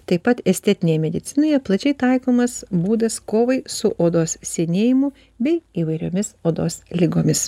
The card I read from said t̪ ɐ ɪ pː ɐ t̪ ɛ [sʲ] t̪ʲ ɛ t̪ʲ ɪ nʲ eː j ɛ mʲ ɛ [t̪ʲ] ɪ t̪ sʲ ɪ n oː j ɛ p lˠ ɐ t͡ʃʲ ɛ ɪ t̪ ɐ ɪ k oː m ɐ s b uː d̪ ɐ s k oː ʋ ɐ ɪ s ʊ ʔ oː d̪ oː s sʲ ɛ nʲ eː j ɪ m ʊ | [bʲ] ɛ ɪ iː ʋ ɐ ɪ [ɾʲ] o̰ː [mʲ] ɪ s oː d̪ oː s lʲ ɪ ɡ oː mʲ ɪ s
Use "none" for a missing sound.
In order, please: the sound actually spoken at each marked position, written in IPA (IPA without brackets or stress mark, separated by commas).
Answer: sʲ, d̪ʲ, bʲ, ɾʲ, mʲ